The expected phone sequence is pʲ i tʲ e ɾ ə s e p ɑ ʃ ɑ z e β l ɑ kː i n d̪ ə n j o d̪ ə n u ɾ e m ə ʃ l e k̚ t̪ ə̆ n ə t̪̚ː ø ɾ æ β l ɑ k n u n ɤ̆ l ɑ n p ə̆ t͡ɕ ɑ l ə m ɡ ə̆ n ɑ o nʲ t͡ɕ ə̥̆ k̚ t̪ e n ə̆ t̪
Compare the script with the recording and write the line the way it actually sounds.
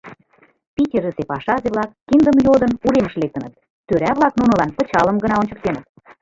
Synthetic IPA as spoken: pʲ i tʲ e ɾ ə s e p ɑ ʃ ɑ z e β l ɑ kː i n d̪ ə m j o d̪ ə n u ɾ e m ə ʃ l e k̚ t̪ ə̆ n ə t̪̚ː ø ɾ æ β l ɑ k n u n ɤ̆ l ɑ n p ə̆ t͡ɕ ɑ l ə m ɡ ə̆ n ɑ o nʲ t͡ɕ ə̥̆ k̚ t̪ e n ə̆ t̪